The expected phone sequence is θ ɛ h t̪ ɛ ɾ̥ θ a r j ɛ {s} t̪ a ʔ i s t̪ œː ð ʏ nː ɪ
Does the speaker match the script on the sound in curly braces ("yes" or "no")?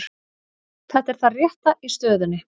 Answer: no